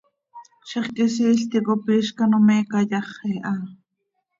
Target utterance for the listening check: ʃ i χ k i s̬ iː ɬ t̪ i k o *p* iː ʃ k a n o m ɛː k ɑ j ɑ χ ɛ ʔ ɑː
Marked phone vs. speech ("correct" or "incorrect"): correct